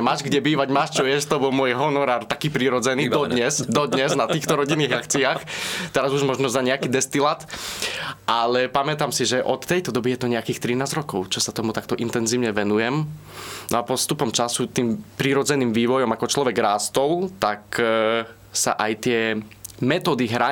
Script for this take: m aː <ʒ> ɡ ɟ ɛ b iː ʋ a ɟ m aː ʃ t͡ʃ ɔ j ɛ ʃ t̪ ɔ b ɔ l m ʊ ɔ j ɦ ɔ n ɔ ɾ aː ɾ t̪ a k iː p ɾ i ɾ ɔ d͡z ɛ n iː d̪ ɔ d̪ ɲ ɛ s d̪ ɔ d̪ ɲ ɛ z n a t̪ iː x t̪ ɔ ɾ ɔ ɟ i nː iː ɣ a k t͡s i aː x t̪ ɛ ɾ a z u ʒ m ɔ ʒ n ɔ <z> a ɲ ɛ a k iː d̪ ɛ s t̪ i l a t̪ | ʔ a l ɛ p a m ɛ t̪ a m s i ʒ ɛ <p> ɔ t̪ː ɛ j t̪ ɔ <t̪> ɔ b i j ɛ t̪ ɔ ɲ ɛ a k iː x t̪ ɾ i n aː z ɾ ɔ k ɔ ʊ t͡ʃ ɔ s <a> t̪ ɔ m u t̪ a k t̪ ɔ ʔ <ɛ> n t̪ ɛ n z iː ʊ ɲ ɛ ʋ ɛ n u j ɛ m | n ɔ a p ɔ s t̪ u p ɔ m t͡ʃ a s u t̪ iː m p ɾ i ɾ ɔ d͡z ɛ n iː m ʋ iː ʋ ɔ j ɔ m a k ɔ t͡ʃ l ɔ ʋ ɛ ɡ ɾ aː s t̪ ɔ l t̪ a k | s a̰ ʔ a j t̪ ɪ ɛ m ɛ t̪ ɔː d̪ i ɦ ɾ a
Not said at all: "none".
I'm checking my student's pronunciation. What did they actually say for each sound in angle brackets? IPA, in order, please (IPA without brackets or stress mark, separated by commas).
ʒ, z, ʔ, d̪, a, i